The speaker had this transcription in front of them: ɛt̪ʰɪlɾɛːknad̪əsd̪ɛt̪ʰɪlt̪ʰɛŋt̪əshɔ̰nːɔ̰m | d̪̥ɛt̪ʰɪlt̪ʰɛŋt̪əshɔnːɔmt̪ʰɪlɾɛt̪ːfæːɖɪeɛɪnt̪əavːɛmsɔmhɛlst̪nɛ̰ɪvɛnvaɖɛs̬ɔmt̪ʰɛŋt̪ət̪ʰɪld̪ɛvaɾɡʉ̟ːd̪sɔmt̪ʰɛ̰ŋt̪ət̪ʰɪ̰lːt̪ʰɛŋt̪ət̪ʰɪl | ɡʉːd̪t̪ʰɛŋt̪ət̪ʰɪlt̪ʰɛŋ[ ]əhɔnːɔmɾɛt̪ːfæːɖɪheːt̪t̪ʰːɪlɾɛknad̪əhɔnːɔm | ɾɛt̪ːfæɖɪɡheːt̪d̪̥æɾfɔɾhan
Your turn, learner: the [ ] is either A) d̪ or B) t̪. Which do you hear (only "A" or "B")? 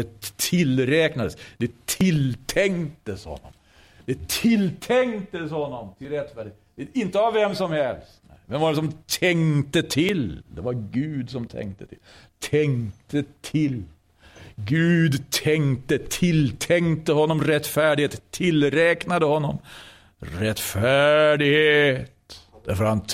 B